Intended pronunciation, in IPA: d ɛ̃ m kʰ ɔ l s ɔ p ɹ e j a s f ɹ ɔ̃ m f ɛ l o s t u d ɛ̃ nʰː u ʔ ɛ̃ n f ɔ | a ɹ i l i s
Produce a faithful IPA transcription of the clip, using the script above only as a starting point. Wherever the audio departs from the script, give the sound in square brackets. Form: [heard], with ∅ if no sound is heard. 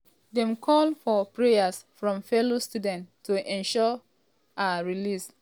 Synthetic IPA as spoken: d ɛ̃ m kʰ ɔ l [f] ɔ p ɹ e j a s f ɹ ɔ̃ m f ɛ l o s t u d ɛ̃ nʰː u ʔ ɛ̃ n [ʃ] ɔ | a ɹ i l i s